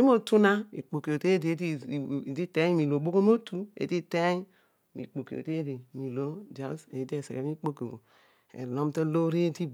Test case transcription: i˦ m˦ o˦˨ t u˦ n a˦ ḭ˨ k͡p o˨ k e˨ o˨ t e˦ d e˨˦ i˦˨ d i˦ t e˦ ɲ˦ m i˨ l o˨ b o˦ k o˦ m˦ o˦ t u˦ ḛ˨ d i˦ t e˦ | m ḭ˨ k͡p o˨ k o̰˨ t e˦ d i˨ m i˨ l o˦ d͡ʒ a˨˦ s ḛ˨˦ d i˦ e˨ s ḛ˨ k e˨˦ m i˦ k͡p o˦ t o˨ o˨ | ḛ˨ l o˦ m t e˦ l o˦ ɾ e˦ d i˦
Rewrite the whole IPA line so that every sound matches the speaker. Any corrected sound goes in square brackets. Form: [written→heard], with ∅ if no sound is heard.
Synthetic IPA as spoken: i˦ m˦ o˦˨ t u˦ n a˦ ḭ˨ k͡p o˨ k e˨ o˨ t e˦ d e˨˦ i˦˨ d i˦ t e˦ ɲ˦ m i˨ l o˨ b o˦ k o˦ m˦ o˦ t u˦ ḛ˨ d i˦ t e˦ | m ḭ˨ k͡p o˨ k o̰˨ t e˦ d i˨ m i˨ l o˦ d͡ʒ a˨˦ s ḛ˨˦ d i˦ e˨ s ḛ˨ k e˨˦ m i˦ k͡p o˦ [t→k] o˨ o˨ | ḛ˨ l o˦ m t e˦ l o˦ ɾ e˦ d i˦

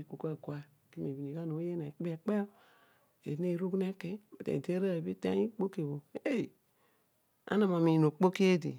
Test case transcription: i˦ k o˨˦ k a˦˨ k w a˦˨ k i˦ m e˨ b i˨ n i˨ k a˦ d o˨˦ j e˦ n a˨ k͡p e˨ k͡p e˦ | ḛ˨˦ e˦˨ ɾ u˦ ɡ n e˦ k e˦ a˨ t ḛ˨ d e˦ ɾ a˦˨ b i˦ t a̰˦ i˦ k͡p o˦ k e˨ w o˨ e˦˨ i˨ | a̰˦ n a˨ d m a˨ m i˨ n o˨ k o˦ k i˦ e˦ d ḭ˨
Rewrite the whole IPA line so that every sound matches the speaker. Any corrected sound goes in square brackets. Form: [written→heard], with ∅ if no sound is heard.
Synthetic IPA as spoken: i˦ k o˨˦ k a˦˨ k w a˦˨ k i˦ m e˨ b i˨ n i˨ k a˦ [d→n] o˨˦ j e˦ n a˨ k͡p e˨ k͡p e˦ | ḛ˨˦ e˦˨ ɾ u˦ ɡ n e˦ k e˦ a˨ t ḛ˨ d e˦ ɾ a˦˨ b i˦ t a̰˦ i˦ k͡p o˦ k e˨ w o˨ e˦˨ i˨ | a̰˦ n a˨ [d→∅] m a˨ m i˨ n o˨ [k→k͡p] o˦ k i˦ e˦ d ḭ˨

